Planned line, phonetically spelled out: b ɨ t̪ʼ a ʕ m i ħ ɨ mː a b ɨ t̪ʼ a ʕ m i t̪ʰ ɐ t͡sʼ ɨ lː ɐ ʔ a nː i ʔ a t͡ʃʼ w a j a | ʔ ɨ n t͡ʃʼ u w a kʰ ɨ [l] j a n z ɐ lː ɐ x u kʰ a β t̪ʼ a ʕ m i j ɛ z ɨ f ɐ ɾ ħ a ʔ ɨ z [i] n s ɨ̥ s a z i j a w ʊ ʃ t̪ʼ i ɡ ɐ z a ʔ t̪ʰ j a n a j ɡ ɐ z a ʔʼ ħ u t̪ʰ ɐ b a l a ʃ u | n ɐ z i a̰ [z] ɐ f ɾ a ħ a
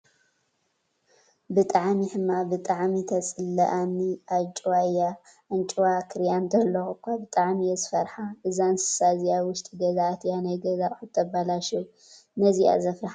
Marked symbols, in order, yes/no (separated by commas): no, no, yes